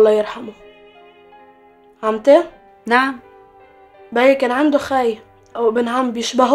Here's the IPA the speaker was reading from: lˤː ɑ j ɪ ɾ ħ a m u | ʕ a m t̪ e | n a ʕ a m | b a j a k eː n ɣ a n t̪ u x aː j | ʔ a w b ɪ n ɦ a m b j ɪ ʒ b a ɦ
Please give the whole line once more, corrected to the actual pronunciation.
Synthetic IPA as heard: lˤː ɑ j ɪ ɾ ħ a m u | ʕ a m t̪ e | n a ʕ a m | b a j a k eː n ʕ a n d̪ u x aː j | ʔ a w b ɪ n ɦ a m b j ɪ ʃ b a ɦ